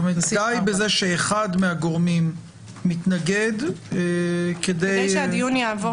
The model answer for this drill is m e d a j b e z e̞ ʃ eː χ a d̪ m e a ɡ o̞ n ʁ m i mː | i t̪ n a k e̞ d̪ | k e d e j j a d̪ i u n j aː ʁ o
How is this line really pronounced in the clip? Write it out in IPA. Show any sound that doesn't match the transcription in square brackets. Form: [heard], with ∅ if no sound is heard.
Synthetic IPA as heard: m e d a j b e z e̞ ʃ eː χ a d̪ m e a ɡ o̞ [∅] ʁ m i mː | i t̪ n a [ɡ] e̞ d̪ | k e d e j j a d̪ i u n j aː [v] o